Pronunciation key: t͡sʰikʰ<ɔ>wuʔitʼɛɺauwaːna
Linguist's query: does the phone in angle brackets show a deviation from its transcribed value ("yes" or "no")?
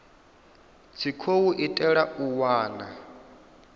yes